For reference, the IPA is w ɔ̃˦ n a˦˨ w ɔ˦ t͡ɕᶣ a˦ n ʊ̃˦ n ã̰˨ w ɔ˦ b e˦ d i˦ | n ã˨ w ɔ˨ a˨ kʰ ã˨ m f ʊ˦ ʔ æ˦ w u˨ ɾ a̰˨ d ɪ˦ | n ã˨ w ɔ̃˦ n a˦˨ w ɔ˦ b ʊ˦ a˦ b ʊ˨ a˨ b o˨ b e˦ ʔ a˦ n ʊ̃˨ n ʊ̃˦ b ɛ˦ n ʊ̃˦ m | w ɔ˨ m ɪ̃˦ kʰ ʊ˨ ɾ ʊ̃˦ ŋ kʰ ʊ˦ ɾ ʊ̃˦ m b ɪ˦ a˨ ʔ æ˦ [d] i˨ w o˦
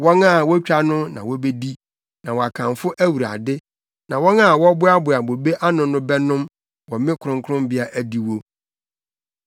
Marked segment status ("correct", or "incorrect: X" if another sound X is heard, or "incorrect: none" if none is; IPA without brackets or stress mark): correct